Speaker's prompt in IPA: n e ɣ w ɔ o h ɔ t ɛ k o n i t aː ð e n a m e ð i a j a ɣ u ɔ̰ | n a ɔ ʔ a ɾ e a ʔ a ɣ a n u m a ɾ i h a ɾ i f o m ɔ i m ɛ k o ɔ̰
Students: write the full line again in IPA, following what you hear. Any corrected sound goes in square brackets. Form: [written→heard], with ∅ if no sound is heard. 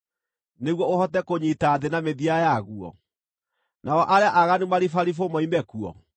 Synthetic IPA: n e ɣ w ɔ o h ɔ t ɛ k o [n→ɲ] i t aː ð e n a m e ð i a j a ɣ u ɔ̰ | n a ɔ ʔ a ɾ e a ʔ a ɣ a n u m a ɾ i [h→f] a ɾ i f o m ɔ i m ɛ k [o→u] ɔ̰